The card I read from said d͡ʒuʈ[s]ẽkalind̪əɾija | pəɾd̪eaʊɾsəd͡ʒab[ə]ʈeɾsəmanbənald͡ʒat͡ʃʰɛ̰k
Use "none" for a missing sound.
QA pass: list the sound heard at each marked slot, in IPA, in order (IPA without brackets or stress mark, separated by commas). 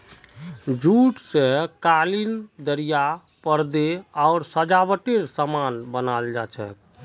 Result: s, ə